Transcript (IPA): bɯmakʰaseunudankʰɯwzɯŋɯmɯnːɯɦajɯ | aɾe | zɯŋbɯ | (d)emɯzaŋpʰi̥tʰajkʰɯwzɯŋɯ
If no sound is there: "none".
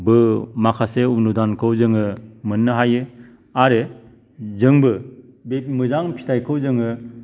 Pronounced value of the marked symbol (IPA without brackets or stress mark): b